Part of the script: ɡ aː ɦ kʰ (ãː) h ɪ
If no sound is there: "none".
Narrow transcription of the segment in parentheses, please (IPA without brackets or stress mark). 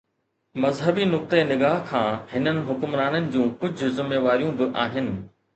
ãː